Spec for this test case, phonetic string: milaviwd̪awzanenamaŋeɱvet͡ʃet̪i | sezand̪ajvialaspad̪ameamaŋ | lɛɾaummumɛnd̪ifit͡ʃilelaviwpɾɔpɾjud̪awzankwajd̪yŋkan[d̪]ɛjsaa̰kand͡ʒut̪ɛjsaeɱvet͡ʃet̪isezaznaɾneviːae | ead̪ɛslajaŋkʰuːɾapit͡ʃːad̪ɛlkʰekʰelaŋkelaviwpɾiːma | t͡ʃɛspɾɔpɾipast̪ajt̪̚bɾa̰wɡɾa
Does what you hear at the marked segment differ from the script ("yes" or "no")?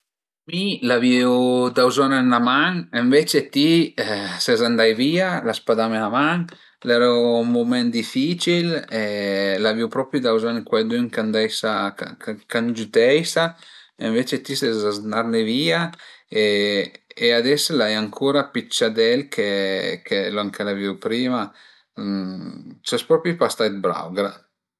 no